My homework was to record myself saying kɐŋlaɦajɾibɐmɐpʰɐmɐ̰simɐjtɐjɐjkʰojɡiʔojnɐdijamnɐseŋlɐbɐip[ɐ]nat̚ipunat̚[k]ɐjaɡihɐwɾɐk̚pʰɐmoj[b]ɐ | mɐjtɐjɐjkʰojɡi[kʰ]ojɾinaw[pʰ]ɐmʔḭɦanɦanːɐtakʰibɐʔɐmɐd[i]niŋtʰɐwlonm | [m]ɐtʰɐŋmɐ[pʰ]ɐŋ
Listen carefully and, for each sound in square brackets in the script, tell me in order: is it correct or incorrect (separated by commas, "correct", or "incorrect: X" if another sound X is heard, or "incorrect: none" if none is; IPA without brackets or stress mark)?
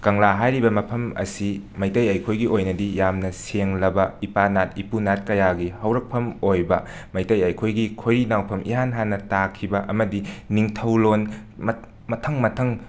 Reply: incorrect: a, correct, correct, correct, correct, correct, correct, incorrect: tʰ